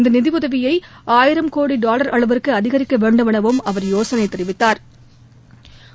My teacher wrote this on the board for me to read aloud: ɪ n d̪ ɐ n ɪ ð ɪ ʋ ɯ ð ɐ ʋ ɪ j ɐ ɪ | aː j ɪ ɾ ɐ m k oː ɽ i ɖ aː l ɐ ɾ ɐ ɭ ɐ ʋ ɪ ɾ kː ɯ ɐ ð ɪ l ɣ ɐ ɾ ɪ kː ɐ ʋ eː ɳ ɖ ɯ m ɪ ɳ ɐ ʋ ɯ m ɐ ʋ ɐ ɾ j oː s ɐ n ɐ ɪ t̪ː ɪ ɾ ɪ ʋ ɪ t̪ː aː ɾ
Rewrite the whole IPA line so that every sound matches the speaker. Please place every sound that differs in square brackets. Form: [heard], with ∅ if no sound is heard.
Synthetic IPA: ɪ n d̪ ɐ n ɪ ð ɪ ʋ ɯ ð ɐ ʋ ɪ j ɐ ɪ | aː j ɪ ɾ ɐ m k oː ɽ i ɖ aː l ɐ ɾ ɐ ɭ ɐ ʋ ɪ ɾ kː ɯ ɐ ð ɪ [∅] ɣ ɐ ɾ ɪ kː ɐ ʋ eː ɳ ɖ ɯ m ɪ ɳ ɐ ʋ ɯ m ɐ ʋ ɐ ɾ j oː s ɐ n ɐ ɪ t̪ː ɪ ɾ ɪ ʋ ɪ t̪ː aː ɾ